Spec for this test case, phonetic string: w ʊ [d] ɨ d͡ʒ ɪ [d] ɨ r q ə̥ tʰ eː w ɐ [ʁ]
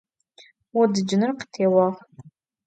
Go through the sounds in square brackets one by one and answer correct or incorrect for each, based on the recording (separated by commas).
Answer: correct, incorrect, correct